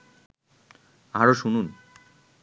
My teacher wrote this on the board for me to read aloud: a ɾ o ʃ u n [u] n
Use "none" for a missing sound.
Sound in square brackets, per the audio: u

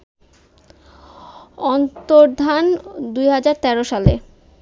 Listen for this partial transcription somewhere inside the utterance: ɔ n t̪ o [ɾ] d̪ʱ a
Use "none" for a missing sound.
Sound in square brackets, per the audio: ɾ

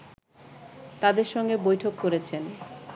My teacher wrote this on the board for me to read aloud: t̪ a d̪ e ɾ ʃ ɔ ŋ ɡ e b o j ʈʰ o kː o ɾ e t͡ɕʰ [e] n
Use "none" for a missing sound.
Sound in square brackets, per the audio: e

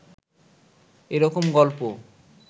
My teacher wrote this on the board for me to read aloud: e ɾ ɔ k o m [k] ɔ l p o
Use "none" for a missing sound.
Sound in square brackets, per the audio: ɡ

